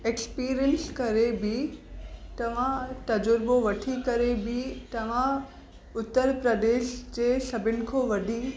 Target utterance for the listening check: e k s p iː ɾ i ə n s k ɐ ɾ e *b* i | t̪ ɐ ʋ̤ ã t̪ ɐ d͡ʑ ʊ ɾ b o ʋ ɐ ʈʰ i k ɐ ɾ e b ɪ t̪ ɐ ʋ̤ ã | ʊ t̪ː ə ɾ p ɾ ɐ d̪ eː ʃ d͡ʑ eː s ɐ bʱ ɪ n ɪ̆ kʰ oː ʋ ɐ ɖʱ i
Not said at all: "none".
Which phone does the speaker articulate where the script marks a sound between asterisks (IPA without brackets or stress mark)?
b